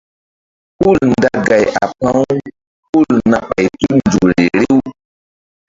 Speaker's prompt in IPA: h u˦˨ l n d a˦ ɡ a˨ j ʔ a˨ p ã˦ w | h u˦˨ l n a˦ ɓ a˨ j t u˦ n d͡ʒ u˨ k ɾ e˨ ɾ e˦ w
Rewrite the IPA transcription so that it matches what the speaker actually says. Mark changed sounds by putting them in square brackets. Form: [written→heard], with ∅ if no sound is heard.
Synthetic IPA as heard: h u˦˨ l n d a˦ ɡ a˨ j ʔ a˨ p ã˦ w | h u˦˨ l n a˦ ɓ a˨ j t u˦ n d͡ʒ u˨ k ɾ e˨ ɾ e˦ w